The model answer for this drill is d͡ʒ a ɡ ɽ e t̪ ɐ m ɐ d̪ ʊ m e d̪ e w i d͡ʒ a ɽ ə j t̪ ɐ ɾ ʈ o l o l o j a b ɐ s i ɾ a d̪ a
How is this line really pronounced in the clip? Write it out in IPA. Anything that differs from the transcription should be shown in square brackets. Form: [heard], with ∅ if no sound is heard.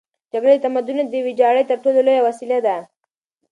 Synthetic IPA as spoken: d͡ʒ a ɡ ɽ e t̪ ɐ m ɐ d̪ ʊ [n] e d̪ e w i d͡ʒ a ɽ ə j t̪ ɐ ɾ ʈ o l o l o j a [w] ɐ s i [l] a d̪ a